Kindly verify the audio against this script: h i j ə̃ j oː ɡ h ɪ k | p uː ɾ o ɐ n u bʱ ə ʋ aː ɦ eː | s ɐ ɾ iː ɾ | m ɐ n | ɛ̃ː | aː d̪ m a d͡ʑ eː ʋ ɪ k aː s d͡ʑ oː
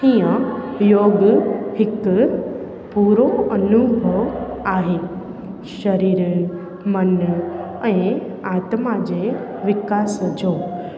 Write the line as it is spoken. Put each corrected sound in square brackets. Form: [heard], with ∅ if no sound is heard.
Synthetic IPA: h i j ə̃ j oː ɡ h ɪ k | p uː ɾ o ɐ n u bʱ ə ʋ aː ɦ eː | [ʃ] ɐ ɾ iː ɾ | m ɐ n | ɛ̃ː | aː [t̪] m a d͡ʑ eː ʋ ɪ k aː s d͡ʑ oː

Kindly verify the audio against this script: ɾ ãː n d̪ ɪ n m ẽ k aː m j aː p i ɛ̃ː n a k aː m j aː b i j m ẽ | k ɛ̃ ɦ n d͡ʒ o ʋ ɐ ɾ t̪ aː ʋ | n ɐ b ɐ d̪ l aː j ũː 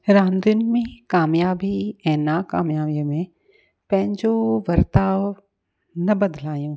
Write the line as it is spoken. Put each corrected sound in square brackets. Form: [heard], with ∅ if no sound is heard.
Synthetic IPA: ɾ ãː n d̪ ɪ n m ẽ k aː m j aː [b] i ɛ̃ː n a k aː m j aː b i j m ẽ | [p] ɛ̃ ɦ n d͡ʒ o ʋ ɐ ɾ t̪ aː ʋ | n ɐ b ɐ d̪ l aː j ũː

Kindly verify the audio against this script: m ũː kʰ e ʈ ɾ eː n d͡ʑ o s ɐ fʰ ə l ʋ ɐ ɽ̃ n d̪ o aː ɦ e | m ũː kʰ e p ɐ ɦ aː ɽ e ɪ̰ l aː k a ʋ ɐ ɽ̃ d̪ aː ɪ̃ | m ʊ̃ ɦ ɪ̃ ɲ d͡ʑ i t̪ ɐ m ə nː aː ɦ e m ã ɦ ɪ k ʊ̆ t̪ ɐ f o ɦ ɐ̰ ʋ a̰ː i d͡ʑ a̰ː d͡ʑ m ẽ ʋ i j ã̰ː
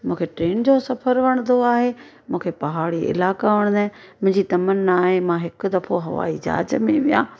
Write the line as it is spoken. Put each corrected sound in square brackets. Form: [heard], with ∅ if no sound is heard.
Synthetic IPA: m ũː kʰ e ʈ ɾ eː n d͡ʑ o s ɐ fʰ ə [ɾ] ʋ ɐ ɽ̃ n d̪ o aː ɦ e | m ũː kʰ e p ɐ ɦ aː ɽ [i] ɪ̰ l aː k a ʋ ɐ ɽ̃ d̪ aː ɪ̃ | m ʊ̃ ɦ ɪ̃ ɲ d͡ʑ i t̪ ɐ m ə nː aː ɦ e m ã ɦ ɪ k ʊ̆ [d̪] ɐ f o ɦ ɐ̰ ʋ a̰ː i d͡ʑ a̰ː d͡ʑ m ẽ ʋ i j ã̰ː

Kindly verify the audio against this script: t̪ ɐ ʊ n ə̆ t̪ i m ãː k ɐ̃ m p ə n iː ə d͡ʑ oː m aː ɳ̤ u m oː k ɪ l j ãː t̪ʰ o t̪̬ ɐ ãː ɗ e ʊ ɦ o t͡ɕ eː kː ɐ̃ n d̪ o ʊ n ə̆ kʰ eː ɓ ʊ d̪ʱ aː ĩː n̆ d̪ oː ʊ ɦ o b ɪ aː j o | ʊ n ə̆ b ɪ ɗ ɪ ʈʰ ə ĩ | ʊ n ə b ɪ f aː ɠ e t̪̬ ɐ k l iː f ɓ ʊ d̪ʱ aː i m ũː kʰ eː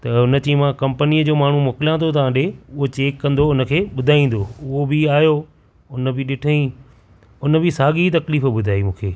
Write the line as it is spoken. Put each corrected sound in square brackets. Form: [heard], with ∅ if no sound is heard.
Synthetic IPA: t̪ ɐ ʊ n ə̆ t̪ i m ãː k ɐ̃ m p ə n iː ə d͡ʑ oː m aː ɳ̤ u m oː k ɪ l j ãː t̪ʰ o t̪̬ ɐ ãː ɗ e ʊ ɦ o t͡ɕ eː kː ɐ̃ n d̪ o ʊ n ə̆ kʰ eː ɓ ʊ d̪ʱ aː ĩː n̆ d̪ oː ʊ ɦ o b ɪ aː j o | ʊ n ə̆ b ɪ ɗ ɪ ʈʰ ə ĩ | ʊ n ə b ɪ [s] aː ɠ [i] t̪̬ ɐ k l iː f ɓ ʊ d̪ʱ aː i m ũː kʰ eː

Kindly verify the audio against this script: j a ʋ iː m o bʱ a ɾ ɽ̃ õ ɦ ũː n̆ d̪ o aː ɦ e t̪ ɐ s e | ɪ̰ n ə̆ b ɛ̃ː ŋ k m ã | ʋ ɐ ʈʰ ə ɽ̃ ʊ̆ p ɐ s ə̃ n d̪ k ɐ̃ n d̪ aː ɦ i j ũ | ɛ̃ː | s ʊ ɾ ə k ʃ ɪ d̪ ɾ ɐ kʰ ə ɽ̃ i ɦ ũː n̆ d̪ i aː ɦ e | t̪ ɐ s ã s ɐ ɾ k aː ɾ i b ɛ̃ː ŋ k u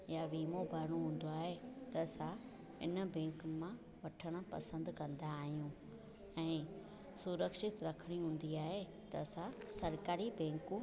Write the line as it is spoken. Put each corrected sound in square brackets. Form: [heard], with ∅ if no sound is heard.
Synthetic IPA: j a ʋ iː m o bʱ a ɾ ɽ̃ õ ɦ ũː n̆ d̪ o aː ɦ e t̪ ɐ s [a] | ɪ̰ n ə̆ b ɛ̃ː ŋ k m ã | ʋ ɐ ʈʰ ə ɽ̃ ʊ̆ p ɐ s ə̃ n d̪ k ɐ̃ n d̪ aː ɦ i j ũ | ɛ̃ː | s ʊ ɾ ə k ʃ ɪ [t̪] ɾ ɐ kʰ ə ɽ̃ i ɦ ũː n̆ d̪ i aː ɦ e | t̪ ɐ s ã s ɐ ɾ k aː ɾ i b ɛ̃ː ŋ k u

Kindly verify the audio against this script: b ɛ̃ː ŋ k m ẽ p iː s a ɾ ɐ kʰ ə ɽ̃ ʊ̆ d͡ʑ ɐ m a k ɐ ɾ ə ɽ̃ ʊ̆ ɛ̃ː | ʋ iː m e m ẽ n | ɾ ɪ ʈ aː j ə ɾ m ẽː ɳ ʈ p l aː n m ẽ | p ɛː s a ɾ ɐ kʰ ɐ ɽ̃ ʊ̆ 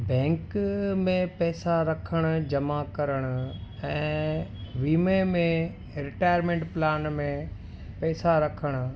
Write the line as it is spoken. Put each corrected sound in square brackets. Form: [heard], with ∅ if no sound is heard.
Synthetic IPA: b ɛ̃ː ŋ k m ẽ p [ɛː] s a ɾ ɐ kʰ ə ɽ̃ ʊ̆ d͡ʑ ɐ m a k ɐ ɾ ə ɽ̃ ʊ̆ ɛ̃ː | ʋ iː m e m ẽ [∅] | ɾ ɪ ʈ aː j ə ɾ m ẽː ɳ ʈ p l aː n m ẽ | p ɛː s a ɾ ɐ kʰ [ə] ɽ̃ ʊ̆

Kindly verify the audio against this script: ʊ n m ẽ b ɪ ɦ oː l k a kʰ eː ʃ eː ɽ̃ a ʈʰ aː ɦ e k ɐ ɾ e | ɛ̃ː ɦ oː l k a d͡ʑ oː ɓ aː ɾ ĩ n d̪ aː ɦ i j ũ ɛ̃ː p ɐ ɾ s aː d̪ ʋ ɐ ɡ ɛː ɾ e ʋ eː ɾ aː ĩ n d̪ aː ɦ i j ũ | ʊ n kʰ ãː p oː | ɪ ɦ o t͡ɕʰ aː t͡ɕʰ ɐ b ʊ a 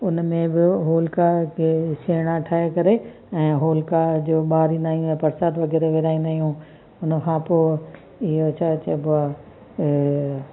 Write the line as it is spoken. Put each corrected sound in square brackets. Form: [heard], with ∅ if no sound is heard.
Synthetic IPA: ʊ n m ẽ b ɪ ɦ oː l k a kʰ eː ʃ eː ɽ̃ a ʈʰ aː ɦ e k ɐ ɾ e | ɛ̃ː ɦ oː l k a d͡ʑ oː ɓ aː ɾ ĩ n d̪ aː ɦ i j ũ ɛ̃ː p ɐ ɾ s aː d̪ ʋ ɐ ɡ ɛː ɾ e ʋ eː ɾ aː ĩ n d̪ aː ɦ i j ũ | ʊ n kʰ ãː p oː | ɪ ɦ o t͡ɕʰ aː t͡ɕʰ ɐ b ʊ a

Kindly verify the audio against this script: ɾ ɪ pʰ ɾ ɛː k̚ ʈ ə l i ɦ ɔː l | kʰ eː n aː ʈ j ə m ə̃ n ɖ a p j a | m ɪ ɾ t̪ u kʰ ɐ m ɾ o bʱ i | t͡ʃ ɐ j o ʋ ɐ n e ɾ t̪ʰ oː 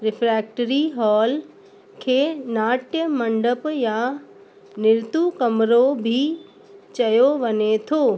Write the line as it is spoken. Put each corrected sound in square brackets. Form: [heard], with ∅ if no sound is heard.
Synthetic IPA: ɾ ɪ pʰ ɾ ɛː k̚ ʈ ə [ɾ] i ɦ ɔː l | kʰ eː n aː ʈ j ə m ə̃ [ɳ] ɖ [ə] p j a | [n] ɪ ɾ t̪ u [k] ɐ m ɾ o bʱ i | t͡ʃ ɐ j o ʋ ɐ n e [∅] t̪ʰ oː

